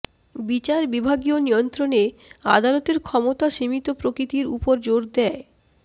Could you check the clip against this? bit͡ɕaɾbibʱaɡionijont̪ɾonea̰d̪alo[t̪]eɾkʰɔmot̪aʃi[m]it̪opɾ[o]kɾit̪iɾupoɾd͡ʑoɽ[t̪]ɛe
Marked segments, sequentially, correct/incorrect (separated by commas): correct, correct, correct, incorrect